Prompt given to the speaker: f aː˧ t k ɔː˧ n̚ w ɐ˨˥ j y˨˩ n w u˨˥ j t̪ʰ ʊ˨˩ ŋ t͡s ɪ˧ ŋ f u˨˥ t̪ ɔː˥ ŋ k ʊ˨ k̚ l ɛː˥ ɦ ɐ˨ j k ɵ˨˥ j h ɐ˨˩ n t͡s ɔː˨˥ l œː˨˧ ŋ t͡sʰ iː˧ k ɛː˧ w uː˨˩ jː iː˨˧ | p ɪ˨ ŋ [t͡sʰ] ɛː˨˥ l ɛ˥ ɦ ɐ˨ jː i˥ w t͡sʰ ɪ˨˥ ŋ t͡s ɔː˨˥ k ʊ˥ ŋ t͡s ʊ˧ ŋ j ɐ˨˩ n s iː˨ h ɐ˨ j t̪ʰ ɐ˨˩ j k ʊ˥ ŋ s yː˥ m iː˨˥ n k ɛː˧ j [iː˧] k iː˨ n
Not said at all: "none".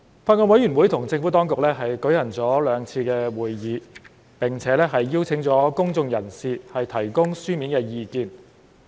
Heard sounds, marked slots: t͡sʰ, iː˧

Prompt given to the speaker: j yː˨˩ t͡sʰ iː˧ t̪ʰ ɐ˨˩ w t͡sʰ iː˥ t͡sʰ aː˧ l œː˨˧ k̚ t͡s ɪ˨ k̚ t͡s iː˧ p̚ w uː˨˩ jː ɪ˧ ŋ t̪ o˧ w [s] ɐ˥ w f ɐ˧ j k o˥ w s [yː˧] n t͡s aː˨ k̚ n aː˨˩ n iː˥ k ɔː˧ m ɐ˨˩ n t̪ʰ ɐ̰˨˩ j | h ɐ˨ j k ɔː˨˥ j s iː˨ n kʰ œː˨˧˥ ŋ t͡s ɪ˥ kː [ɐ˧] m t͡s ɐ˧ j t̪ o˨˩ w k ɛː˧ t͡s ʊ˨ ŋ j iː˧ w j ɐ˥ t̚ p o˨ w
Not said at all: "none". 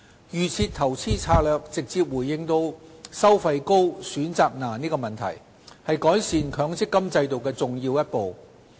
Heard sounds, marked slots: s, yː˨˥, ɐ˥

